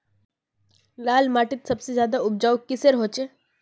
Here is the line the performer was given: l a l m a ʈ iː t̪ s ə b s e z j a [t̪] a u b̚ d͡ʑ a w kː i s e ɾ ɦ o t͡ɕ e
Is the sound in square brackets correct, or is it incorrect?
incorrect